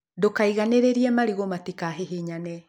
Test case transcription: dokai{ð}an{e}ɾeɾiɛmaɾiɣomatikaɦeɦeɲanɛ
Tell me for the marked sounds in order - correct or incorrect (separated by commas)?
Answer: incorrect, correct